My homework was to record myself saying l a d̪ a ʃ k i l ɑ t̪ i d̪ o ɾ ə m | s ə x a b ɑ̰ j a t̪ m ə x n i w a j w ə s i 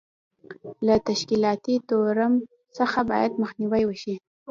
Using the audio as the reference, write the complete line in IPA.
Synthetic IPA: l a t̪ a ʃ k i l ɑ t̪ i t̪ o ɾ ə m | s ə x a b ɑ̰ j a d̪ m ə x n i w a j w ə ʃ i